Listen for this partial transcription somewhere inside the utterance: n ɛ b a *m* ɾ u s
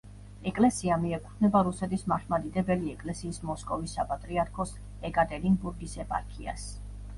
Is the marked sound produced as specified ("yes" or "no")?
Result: no